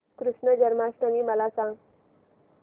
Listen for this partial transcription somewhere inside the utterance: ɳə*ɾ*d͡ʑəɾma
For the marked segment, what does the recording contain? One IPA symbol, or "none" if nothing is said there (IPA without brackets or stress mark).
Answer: none